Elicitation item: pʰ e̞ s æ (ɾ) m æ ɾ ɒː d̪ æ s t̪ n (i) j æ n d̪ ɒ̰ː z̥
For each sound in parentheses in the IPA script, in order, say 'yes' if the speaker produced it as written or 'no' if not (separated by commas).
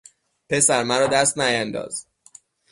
yes, no